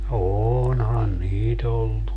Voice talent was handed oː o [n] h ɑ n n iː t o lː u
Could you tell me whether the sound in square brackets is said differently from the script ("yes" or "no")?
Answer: no